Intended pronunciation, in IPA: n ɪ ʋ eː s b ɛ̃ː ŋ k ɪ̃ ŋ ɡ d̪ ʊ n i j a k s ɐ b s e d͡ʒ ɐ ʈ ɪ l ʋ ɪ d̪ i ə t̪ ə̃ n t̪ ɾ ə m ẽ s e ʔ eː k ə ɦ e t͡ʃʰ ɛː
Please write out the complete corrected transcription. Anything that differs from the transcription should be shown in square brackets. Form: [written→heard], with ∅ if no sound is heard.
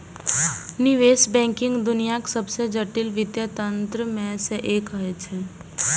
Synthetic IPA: n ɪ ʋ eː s b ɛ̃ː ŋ k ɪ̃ ŋ ɡ d̪ ʊ n i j a k s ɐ b s e d͡ʒ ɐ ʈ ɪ l ʋ ɪ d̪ [i→j] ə t̪ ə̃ n t̪ ɾ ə m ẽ s e ʔ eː k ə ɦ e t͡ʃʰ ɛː